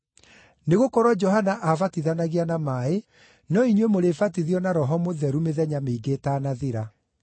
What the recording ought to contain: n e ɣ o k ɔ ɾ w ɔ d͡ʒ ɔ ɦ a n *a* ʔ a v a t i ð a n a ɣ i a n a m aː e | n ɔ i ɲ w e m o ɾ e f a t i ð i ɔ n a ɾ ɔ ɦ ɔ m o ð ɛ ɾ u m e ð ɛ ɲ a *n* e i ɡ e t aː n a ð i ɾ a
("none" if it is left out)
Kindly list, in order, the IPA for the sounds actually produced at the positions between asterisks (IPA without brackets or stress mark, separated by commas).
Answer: a, m